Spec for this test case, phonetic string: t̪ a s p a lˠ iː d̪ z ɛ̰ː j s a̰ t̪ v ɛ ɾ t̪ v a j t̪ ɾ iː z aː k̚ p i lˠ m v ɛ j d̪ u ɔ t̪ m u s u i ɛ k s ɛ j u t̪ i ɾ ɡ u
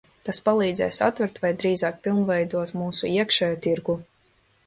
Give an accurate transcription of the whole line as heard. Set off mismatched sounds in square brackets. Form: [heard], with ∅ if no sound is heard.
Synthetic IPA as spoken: t̪ a s p a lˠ iː d̪ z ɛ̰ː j s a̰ t̪ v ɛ ɾ t̪ v a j [d̪] ɾ iː z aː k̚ p i lˠ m v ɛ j d̪ u ɔ t̪ m [uː] s u i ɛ k [ʃ] ɛ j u t̪ i ɾ ɡ u